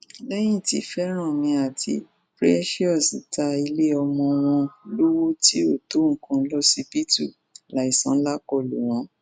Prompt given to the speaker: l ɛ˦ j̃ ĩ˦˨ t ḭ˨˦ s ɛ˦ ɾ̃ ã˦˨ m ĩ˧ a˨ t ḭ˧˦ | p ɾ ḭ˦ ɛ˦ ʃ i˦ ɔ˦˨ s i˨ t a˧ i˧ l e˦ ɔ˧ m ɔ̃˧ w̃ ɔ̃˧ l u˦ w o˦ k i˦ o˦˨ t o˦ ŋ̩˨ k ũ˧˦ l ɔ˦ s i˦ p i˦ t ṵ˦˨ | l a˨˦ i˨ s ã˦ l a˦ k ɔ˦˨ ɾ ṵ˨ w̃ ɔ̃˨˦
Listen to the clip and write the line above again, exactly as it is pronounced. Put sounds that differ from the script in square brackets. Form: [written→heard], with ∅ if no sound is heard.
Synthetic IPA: l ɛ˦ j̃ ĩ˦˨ t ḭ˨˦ [s→f] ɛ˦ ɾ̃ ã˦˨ m ĩ˧ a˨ t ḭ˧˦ | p ɾ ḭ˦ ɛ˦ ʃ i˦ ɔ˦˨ s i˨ t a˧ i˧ l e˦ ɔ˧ m ɔ̃˧ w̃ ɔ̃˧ l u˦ w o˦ [k→t] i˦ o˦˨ t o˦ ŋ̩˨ k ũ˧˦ l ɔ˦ s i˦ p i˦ t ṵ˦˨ | l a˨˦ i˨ s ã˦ l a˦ k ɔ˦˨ [ɾ→l] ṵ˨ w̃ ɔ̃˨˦